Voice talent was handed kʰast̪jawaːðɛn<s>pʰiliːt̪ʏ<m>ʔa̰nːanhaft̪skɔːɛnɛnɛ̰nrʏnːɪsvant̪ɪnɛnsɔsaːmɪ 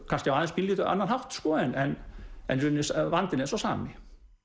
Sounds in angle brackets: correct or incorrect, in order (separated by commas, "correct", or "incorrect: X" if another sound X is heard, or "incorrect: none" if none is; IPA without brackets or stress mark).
correct, incorrect: none